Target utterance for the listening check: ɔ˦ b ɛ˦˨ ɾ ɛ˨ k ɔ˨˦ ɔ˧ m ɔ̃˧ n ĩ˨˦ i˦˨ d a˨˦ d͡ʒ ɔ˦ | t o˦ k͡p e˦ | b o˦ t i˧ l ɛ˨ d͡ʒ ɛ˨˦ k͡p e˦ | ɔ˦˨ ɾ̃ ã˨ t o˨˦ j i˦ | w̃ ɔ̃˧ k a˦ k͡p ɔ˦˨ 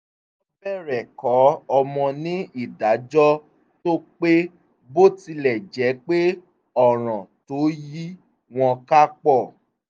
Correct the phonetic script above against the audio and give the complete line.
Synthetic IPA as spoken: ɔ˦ b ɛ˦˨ ɾ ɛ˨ k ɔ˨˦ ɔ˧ m ɔ̃˧ n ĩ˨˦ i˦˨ d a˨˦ d͡ʒ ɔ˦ | t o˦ k͡p e˦ | b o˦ t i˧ l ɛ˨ d͡ʒ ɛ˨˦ k͡p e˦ | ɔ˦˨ ɾ̃ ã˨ t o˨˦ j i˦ | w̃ ɔ̃˧ k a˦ k͡p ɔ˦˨